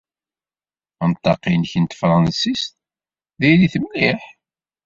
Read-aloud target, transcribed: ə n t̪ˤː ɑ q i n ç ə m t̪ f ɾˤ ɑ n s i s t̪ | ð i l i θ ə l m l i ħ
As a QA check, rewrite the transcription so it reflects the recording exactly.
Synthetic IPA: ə n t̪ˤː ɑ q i n ç ə n t̪ f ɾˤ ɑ n s i s t̪ | ð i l i θ ə m l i ħ